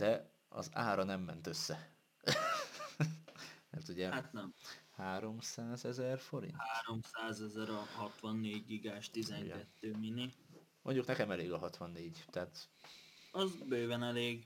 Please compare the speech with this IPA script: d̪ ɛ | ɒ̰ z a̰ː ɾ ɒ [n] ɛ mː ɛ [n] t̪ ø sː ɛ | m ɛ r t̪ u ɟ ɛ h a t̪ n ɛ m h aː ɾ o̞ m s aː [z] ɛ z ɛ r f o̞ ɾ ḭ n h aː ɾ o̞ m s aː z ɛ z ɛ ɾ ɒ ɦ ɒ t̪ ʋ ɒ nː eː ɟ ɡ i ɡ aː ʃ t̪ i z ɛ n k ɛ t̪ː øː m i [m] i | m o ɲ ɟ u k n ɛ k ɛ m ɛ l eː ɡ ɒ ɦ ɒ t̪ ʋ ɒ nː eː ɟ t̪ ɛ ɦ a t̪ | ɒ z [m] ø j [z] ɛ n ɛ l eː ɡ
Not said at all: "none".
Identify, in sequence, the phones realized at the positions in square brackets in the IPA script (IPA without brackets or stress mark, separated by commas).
n, n, z, n, b, v